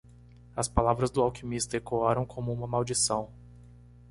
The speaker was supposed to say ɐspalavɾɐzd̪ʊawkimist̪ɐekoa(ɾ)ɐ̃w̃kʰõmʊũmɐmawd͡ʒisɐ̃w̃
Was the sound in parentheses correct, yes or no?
yes